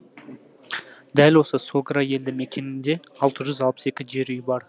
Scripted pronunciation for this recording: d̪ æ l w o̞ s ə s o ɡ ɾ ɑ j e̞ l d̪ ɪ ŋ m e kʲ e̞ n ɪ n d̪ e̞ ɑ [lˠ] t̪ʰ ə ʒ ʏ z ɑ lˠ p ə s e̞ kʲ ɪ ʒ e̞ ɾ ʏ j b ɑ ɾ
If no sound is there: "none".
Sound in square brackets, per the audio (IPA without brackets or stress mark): lˠ